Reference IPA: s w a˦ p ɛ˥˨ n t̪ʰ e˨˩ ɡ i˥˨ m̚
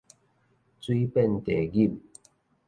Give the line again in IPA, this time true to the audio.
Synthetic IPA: t͡s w i˦ p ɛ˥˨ n t̪ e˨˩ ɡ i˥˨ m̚